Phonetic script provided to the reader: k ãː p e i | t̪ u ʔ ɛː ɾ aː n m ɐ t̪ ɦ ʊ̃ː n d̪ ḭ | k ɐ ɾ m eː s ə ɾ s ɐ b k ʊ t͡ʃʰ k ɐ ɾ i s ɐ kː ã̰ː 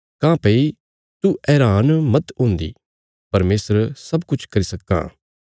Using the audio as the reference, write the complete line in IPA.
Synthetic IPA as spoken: k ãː p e i | t̪ u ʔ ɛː ɾ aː n m ɐ t̪ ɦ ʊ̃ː n d̪ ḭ | p ɐ ɾ m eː s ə ɾ s ɐ b k ʊ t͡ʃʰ k ɐ ɾ i s ɐ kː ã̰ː